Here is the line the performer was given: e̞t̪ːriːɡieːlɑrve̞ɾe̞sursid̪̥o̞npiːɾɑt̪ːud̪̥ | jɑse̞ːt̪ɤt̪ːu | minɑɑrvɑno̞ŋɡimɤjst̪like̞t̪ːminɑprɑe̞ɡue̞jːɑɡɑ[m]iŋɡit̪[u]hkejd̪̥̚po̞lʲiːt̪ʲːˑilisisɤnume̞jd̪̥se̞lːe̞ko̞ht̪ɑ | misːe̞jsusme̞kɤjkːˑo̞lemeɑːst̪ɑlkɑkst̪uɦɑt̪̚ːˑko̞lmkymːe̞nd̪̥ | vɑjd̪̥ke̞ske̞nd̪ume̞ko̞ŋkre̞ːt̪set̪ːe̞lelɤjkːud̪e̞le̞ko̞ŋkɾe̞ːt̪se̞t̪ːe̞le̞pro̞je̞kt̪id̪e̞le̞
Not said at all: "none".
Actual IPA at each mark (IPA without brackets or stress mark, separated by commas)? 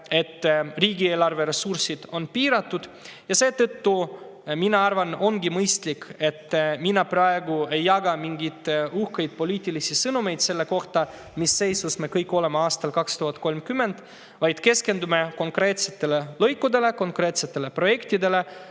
m, u